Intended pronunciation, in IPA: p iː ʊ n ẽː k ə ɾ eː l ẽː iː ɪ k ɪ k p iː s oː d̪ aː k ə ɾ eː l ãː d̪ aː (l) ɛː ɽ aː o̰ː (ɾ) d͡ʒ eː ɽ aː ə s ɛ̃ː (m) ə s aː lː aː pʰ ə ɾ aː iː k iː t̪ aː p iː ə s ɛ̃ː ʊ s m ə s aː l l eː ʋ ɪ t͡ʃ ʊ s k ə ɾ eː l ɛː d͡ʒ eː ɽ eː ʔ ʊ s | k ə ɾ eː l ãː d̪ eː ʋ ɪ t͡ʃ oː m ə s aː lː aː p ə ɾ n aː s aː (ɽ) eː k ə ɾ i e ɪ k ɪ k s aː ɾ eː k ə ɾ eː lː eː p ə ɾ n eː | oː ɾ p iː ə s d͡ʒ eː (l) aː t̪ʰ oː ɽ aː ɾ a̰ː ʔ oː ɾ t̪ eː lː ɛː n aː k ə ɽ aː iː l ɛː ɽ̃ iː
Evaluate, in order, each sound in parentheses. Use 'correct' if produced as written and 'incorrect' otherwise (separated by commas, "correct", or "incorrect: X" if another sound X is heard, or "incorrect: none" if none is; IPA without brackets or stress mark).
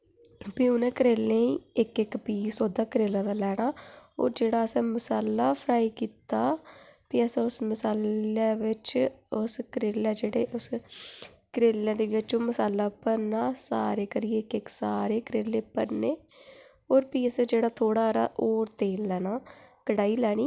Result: correct, correct, correct, incorrect: ɾ, incorrect: ɽ